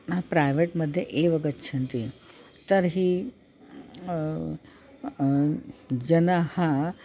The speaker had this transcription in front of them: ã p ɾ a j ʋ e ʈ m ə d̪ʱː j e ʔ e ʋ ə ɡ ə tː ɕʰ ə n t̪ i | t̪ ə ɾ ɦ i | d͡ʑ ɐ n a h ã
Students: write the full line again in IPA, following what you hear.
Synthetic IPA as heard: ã p ɾ a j ʋ e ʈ m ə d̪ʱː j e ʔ e ʋ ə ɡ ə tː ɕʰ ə n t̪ i | t̪ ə ɾ ɦ i | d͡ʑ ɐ n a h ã